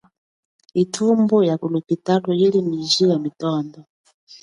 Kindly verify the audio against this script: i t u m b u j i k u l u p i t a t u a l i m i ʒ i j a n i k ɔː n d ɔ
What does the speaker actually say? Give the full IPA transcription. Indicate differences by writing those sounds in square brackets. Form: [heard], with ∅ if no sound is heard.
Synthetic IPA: i [tʰ] u m b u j [a] k u l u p i t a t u [i] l i m i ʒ i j a [m] i [t] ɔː n d ɔ